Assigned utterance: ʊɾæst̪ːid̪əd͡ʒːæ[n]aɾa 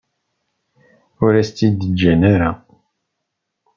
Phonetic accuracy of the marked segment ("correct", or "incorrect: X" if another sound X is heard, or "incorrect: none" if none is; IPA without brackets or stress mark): correct